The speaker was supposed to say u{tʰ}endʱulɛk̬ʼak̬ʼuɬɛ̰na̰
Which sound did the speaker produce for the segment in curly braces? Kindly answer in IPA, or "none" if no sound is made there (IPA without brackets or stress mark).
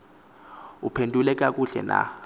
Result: pʰ